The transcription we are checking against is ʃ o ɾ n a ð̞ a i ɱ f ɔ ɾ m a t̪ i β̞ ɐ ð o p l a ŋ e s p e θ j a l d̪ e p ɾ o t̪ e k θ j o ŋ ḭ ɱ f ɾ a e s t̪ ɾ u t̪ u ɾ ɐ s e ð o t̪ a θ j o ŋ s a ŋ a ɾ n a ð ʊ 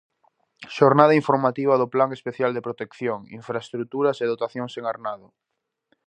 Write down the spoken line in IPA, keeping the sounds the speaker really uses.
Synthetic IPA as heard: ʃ o ɾ n a ð̞ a i ɱ f o ɾ m a t̪ i β̞ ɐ ð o p l a ŋ e s p e θ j a l d̪ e p ɾ o t̪ e k θ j o ŋ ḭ ɱ f ɾ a e s t̪ ɾ u t̪ u ɾ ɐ s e ð o t̪ a θ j o ŋ s e ŋ a ɾ n a ð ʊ